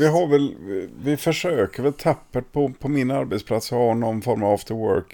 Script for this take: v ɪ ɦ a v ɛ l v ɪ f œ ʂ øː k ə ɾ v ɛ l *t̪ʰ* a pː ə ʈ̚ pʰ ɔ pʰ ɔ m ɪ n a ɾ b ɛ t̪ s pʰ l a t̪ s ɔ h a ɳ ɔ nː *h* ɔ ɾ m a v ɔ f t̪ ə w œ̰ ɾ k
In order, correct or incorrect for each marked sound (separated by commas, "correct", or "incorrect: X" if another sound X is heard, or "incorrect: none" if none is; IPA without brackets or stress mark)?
correct, incorrect: f